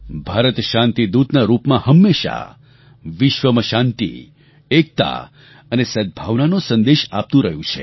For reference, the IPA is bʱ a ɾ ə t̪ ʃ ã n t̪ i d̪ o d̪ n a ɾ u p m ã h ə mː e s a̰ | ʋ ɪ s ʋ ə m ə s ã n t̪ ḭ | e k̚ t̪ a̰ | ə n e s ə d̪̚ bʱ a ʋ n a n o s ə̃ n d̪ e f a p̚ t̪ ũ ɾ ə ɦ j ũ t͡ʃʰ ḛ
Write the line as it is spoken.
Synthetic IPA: bʱ a ɾ ə t̪ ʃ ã n t̪ i d̪ u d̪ n a ɾ u p m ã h ə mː e ʃ a̰ | ʋ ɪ ʃ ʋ ə m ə ʃ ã n t̪ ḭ | e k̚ t̪ a̰ | ə n e s ə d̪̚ bʱ a ʋ n a n o s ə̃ n d̪ e ʃ a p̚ t̪ ũ ɾ ə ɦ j ũ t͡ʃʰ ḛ